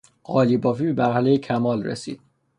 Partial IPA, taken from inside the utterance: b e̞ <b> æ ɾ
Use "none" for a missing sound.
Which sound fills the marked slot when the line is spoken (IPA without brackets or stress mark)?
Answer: m